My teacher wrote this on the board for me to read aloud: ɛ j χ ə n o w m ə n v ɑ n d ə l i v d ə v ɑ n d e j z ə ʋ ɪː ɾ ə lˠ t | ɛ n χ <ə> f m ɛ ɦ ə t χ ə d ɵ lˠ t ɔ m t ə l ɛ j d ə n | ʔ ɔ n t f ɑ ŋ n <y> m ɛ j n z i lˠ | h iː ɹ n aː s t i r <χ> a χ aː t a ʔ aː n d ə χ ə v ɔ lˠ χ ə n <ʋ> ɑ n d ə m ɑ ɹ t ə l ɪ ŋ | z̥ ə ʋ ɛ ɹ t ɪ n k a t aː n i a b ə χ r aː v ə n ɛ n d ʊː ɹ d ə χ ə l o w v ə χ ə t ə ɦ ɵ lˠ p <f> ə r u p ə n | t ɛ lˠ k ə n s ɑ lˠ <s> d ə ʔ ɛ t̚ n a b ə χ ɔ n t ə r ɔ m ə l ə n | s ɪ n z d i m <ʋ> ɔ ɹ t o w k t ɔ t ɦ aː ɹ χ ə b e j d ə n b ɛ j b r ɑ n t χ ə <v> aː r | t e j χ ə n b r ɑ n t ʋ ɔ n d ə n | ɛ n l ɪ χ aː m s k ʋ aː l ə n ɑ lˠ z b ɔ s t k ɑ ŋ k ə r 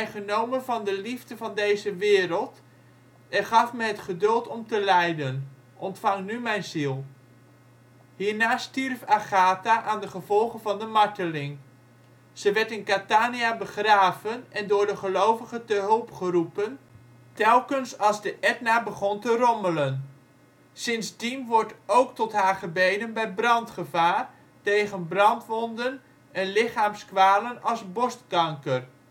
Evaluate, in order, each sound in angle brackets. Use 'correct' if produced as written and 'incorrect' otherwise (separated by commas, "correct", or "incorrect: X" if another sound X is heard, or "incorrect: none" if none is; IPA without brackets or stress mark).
incorrect: ɑ, correct, incorrect: f, incorrect: v, incorrect: χ, incorrect: z, correct, correct